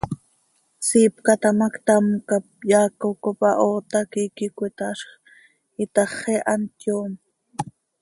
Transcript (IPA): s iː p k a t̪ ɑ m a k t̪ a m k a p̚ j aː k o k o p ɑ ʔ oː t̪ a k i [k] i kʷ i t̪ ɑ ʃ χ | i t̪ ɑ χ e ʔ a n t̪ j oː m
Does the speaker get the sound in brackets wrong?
no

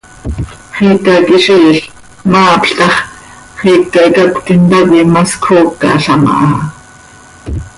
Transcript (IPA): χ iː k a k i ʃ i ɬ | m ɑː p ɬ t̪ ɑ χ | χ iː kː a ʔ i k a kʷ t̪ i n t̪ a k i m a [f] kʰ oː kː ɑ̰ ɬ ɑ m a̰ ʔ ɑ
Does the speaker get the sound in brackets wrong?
yes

